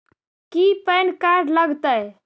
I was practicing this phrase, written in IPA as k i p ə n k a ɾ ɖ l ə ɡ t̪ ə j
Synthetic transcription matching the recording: k i p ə n k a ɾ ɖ l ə ɡ t̪ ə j